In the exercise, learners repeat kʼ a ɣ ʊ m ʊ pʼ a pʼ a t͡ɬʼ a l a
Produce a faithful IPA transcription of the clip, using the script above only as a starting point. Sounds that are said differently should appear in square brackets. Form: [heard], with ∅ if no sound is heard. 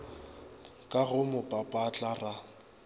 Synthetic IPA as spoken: kʼ a ɣ ʊ m ʊ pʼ a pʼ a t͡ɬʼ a [r] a

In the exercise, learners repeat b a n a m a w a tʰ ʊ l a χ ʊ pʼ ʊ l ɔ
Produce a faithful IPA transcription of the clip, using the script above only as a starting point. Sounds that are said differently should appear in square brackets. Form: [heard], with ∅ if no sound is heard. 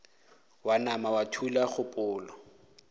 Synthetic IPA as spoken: [w] a n a m a w a tʰ [u] l a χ ʊ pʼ [ʊː] l ɔ

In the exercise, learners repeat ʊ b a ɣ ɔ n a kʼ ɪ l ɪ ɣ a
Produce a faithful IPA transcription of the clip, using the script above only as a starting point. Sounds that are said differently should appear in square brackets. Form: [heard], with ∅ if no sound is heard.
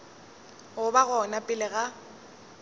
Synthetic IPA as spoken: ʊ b a ɣ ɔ n a [pʼ] ɪ l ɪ ɣ a

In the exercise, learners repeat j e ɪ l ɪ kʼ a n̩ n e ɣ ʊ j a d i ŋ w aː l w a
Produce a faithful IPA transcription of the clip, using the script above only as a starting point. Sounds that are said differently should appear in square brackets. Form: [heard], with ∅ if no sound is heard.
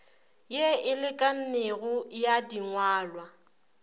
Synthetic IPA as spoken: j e ɪ l ɪ kʼ a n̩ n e ɣ ʊ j a d i ŋ w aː l w a

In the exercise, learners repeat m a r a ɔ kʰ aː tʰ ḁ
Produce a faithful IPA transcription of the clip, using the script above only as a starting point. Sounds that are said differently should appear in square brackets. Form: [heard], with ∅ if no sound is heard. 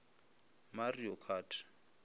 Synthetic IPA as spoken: m a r [i] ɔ kʰ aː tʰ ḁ

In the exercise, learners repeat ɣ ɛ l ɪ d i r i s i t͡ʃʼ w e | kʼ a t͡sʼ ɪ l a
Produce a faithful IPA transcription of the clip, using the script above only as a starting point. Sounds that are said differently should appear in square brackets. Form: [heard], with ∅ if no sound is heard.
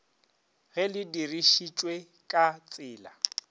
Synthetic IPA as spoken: ɣ ɛ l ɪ d i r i [ʃ] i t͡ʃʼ w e | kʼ a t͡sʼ [ɪː] l a

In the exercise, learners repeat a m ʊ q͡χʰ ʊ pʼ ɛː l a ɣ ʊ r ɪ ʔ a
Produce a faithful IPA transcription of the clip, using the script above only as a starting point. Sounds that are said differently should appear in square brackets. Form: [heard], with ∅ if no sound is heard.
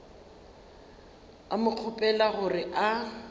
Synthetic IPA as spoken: a m ʊ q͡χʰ ʊ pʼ [ɛ] l a ɣ ʊ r ɪ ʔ a

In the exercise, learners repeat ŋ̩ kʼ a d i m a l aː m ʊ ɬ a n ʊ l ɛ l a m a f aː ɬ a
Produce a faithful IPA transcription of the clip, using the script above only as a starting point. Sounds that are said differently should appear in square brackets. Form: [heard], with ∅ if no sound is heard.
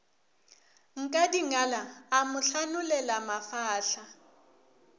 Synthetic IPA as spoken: ŋ̩ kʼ a d i [ŋ] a l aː m ʊ ɬ a n ʊ l ɛ l a m a f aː ɬ a

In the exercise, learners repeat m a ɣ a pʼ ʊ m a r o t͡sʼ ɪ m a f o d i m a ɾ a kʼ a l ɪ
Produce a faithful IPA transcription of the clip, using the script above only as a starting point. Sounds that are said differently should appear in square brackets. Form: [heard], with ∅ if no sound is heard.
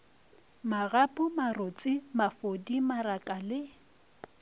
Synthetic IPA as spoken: m a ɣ a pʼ ʊ m a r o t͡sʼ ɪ m a f o d i m a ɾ a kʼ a l ɪ

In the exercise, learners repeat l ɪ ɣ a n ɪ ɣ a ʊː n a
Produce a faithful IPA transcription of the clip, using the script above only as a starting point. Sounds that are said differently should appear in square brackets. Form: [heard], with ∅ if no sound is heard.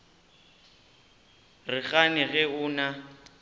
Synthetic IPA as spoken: [r] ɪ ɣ a n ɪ ɣ [ɛ] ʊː n a

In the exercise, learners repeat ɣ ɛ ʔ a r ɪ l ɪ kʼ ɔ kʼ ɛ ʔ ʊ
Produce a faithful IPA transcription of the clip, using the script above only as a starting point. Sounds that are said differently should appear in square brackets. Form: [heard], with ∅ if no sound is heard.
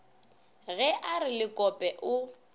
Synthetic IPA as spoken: ɣ ɛ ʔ a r ɪ l ɪ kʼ ɔ [pʼ] ɛ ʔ ʊ

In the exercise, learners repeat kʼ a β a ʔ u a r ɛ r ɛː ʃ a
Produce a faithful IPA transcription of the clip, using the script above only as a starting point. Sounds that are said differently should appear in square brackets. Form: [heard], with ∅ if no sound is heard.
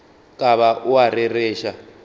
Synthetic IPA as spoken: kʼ a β a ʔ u a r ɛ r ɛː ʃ a

